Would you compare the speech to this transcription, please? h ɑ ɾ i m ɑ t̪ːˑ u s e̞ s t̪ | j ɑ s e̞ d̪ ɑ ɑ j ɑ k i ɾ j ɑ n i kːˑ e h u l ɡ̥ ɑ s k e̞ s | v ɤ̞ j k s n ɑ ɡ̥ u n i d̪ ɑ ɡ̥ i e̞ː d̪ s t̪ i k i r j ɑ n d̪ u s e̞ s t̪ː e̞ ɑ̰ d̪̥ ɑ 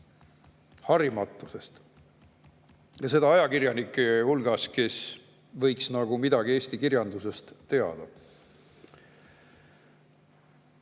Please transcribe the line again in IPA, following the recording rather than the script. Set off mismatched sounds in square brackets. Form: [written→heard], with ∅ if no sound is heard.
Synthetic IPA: h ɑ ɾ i m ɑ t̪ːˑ u s e̞ s t̪ | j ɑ s e̞ d̪ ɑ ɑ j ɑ k i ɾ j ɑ n i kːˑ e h u l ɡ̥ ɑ s k e̞ s | v ɤ̞ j k s n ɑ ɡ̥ u [n→m] i d̪ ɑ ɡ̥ i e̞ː [d̪→∅] s t̪ i k i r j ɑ n d̪ u s e̞ s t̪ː e̞ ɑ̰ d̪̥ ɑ

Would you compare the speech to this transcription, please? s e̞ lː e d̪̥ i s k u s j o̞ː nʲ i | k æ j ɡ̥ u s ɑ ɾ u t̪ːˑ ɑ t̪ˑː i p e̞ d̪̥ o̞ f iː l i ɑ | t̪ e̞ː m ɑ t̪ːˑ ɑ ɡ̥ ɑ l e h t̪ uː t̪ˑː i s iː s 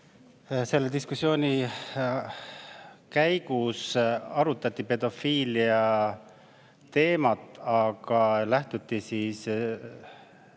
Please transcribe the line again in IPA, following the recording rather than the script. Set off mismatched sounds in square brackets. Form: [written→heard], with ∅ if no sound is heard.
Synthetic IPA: s e̞ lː e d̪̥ i s k u s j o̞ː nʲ i | k æ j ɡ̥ u s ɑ ɾ u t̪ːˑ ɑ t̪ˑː i p e̞ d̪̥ o̞ f iː l i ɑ | t̪ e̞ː m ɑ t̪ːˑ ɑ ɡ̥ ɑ l [e→æ] h t̪ [uː→u] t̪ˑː i s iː s

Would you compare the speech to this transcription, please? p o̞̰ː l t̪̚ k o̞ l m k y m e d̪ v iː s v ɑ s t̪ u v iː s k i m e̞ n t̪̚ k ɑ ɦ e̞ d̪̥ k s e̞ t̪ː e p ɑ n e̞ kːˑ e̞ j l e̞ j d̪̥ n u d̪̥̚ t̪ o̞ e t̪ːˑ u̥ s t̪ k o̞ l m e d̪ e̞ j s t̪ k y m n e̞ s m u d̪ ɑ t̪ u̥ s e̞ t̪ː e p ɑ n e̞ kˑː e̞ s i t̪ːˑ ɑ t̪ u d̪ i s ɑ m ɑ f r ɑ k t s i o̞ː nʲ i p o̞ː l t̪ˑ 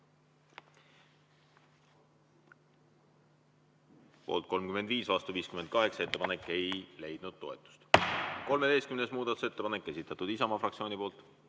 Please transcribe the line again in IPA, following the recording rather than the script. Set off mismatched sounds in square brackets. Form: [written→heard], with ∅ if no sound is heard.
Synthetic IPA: p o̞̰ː l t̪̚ k o̞ l m k y m e d̪ v iː s v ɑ s t̪ u v iː s k [i→y] m e̞ n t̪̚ k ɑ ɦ e̞ [d̪̥→∅] k s e̞ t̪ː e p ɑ n e̞ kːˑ e̞ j l e̞ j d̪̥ n u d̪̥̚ t̪ o̞ e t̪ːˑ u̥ s t̪ k o̞ l m e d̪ e̞ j s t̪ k y m n e̞ s m [u→uː] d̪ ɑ t̪ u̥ s e̞ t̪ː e p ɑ n e̞ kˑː e̞ s i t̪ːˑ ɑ t̪ u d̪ i s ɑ m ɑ f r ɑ k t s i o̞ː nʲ i p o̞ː l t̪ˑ

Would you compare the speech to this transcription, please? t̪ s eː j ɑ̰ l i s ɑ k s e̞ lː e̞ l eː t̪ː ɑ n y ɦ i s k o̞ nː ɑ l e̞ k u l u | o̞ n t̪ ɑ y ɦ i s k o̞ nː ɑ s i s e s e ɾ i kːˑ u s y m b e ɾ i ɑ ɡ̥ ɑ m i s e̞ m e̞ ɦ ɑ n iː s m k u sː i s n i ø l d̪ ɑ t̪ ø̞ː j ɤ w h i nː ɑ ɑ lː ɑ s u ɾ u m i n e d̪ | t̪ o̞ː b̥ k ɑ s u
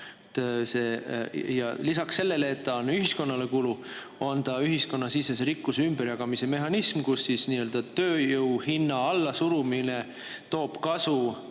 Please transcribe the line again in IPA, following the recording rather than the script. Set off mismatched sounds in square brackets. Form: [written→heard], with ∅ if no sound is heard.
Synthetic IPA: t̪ s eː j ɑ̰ l i s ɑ k s e̞ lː e̞ l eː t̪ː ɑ n y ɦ i s k o̞ nː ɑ l e̞ k u l u | o̞ n t̪ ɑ y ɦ i s k o̞ nː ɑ s i s e s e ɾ i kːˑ u s y m b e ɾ [i→j] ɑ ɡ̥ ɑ m i s e̞ m e̞ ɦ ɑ n [iː→i] s m k u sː i s n i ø l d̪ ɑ t̪ ø̞ː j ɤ w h i nː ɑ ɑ lː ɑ s u ɾ u m i n e [d̪→∅] | t̪ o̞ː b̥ k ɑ s u

